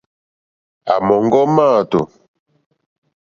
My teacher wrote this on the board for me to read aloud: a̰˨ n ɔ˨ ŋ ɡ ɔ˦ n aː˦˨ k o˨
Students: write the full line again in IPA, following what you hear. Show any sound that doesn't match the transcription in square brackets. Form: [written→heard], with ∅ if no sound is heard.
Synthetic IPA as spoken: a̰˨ [n→m] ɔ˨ ŋ ɡ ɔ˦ [n→m] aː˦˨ [k→t] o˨